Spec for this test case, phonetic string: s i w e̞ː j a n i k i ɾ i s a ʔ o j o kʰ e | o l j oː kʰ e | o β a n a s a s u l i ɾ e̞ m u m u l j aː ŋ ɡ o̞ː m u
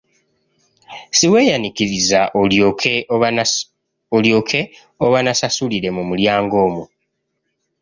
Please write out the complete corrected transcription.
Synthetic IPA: s i w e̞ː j a n i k i ɾ i z a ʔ o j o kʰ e | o l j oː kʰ e | o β a n a s a s u l i ɾ e̞ m u m u l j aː ŋ ɡ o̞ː m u